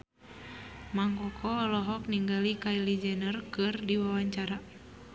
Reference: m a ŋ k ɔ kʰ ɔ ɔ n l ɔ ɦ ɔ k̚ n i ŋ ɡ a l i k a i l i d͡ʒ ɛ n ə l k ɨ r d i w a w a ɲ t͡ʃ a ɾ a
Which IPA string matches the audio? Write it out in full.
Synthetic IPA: m a ŋ k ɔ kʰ ɔ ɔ l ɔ ɦ ɔ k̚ n i ŋ ɡ a l i k a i l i d͡ʒ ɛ n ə r k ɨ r d i w a w a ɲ t͡ʃ a ɾ a